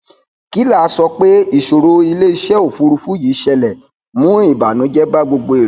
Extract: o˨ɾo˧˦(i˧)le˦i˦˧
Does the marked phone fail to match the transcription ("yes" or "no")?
no